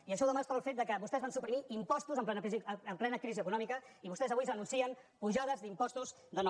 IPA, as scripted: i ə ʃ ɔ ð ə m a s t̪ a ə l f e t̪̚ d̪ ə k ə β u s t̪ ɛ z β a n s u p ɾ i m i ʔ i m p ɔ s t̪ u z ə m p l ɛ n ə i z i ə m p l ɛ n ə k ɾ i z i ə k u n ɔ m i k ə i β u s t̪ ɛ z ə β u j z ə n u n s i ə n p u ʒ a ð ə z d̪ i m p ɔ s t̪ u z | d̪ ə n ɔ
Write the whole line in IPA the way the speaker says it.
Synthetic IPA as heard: i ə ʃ ɔ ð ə m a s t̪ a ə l f e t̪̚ d̪ ə k ə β u s t̪ ɛ z β a n s u p ɾ i m i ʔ i m p ɔ s t̪ u z ə m p l ɛ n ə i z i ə m p l ɛ n ə k ɾ i z i ə k u n ɔ m i k ə i β u s t̪ ɛ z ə β u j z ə n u n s i ə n p u ʒ a ð ə z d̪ i m p ɔ s t̪ u z | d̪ ə n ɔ